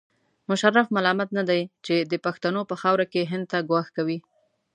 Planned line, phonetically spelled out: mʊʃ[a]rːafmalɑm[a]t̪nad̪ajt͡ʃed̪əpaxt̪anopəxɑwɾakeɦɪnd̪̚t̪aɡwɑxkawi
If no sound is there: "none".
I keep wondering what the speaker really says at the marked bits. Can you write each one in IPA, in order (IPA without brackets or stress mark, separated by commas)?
a, a